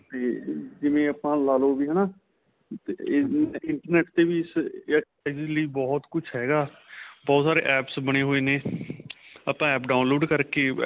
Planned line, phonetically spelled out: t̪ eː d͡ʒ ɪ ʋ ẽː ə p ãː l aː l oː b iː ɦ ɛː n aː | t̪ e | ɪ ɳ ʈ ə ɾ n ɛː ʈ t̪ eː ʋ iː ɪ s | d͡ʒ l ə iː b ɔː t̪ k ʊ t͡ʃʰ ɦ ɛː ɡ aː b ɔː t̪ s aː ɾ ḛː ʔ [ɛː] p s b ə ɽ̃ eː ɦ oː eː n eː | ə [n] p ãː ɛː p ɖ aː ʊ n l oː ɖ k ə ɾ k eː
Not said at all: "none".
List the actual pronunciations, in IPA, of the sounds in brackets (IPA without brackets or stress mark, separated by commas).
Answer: ɛː, none